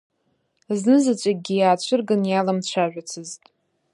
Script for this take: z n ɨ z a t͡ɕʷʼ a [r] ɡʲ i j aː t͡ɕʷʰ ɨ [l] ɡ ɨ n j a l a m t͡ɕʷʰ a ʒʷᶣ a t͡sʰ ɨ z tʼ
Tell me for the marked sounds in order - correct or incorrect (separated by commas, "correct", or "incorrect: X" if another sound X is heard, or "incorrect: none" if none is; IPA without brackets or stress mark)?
incorrect: none, incorrect: r